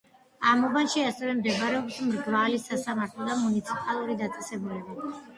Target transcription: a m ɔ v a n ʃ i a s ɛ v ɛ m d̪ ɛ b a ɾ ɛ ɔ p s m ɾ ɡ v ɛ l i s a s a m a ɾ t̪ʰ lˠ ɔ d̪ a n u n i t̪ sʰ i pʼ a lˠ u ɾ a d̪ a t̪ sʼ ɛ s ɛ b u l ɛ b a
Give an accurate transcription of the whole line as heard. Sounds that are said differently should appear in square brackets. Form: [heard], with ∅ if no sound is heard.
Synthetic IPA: a m ɔ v a n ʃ i a s ɛ v ɛ m d̪ ɛ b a ɾ ɛ ɔ p s m ɾ ɡ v [a] l i s a s a m a ɾ t̪ʰ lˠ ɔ d̪ a [m] u n i t̪ sʰ i pʼ a lˠ u ɾ [i] d̪ a t̪ sʼ ɛ s ɛ b u l ɛ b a

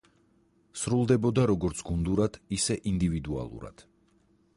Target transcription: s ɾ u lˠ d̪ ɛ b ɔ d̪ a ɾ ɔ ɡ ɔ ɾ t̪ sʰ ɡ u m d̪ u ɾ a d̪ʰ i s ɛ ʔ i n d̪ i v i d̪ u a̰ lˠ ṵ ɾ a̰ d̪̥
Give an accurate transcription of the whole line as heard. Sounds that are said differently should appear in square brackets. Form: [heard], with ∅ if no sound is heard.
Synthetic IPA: s ɾ u lˠ d̪ ɛ b ɔ d̪ a ɾ ɔ ɡ ɔ ɾ t̪ sʰ ɡ u [n] d̪ u ɾ a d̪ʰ i s ɛ ʔ i n d̪ i v i d̪ u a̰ lˠ ṵ ɾ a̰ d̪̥

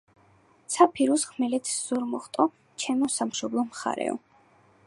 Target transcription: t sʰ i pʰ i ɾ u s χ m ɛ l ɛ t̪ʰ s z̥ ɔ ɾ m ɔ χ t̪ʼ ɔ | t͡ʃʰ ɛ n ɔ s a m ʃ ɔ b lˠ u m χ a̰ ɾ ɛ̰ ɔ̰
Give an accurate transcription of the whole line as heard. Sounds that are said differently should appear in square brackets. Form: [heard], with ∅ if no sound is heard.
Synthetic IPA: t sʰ [a] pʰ i ɾ u s χ m ɛ l ɛ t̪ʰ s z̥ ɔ ɾ m ɔ χ t̪ʼ ɔ | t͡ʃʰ ɛ [m] ɔ s a m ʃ ɔ b lˠ [ɔ] m χ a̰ ɾ ɛ̰ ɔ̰

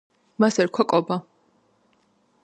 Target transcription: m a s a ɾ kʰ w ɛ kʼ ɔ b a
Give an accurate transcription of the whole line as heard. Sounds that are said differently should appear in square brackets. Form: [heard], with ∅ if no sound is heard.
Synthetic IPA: m a s [ɛ] ɾ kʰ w [a] kʼ ɔ b a

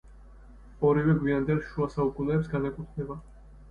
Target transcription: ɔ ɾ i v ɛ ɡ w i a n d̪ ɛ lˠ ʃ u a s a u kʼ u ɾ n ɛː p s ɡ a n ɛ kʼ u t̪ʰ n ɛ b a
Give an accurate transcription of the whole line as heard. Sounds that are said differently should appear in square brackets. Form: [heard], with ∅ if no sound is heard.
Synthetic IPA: ɔ ɾ i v ɛ ɡ w i a n d̪ ɛ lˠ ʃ u a s a u kʼ u [∅] n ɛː p s ɡ a n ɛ kʼ u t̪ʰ n ɛ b a

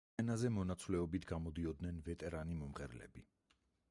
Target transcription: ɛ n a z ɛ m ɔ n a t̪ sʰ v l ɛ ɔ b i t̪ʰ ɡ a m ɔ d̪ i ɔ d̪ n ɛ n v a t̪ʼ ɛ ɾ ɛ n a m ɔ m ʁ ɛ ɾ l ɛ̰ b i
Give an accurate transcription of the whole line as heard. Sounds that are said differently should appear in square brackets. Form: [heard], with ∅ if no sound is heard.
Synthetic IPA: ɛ n a z ɛ m ɔ n a t̪ sʰ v l ɛ ɔ b i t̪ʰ ɡ a m ɔ d̪ i ɔ d̪ n ɛ n v [ɛ] t̪ʼ ɛ ɾ [a] n [i] m ɔ m ʁ ɛ ɾ l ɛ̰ b i

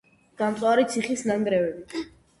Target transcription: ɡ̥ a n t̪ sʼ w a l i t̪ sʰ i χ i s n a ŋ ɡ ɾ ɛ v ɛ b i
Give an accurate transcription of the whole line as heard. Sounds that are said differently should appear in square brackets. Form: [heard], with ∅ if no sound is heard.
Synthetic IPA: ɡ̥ a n t̪ sʼ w a [ɾ] i t̪ sʰ i χ i s n a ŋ ɡ ɾ ɛ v ɛ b i

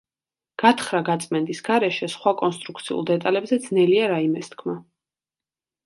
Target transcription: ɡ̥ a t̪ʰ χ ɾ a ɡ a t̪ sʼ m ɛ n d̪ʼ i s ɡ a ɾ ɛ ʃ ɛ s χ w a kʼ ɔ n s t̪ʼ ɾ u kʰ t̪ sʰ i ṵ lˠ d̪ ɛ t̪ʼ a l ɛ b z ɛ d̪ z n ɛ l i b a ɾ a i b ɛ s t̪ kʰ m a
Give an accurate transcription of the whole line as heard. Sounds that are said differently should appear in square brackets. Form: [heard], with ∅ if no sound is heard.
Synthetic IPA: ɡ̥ a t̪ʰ χ ɾ a ɡ a t̪ sʼ m ɛ n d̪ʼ i s ɡ a ɾ ɛ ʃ ɛ s χ w a kʼ ɔ n s t̪ʼ ɾ u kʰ t̪ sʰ i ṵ lˠ d̪ ɛ t̪ʼ a l ɛ b z ɛ d̪ z n ɛ l i [∅] a ɾ a i [m] ɛ s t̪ kʰ m a

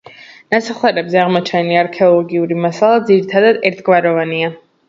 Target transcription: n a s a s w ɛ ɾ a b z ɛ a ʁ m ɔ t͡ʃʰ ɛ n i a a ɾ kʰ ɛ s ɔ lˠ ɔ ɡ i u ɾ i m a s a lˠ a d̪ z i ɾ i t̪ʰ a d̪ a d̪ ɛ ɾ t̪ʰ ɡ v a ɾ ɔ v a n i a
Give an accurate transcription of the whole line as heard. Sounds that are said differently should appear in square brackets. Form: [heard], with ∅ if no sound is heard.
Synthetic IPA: n a s a [χ] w ɛ ɾ [ɛ] b z ɛ a ʁ m ɔ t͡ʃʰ ɛ n i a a ɾ kʰ ɛ [∅] ɔ lˠ ɔ ɡ i u ɾ i m a s a lˠ a d̪ z i ɾ i t̪ʰ a d̪ a d̪ ɛ ɾ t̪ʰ ɡ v a ɾ ɔ v a n i a

